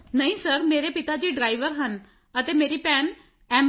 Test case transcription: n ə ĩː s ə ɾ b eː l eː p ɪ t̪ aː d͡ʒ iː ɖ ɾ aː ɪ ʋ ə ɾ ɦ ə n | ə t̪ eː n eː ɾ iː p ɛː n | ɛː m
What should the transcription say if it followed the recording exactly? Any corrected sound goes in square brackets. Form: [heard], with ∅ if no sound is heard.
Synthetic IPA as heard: n ə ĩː s ə ɾ [m] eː [ɾ] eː p ɪ t̪ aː d͡ʒ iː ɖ ɾ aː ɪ ʋ ə ɾ ɦ ə n | ə t̪ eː [m] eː ɾ iː p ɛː n | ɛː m